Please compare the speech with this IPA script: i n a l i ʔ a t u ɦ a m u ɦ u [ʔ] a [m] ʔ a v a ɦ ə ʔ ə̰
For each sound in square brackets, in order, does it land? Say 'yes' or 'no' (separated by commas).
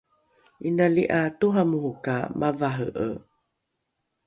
no, yes